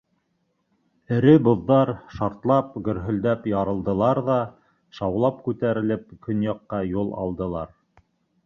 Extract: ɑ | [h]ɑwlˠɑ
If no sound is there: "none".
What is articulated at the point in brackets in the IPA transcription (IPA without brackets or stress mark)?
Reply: ʃ